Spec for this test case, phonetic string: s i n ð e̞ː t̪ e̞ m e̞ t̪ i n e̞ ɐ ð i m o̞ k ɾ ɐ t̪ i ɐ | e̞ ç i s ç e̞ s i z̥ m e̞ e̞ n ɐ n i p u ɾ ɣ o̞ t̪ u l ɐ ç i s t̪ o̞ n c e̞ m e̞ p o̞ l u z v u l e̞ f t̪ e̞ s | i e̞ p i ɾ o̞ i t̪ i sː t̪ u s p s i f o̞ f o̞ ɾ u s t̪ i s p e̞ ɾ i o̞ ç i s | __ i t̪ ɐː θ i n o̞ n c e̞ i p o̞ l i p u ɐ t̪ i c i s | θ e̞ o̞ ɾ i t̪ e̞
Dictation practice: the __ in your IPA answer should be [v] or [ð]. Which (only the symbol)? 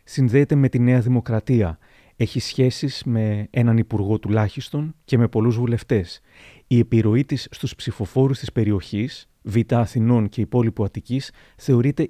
v